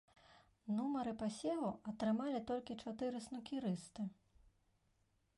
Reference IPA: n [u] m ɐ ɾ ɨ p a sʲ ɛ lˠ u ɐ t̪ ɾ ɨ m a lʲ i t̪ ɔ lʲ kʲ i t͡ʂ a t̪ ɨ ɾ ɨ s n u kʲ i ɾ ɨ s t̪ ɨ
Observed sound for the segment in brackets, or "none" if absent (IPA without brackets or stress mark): u